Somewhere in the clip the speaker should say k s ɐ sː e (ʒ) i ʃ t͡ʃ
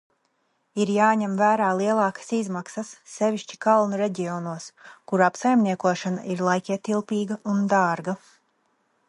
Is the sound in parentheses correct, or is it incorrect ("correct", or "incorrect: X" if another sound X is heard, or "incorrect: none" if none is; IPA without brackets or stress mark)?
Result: incorrect: v